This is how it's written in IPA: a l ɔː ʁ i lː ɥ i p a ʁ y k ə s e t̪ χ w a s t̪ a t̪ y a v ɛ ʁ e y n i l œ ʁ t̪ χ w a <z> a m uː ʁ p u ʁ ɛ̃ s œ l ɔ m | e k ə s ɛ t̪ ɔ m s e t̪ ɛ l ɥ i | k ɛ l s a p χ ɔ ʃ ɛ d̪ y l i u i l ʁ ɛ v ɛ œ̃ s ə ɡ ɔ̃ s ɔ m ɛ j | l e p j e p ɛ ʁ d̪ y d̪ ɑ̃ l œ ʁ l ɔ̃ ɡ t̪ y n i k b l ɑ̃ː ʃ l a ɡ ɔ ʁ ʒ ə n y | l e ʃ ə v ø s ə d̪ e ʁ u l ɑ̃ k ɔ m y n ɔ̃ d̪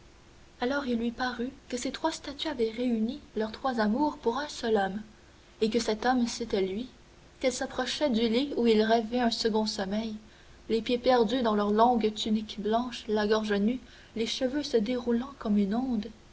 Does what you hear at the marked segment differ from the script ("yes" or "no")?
no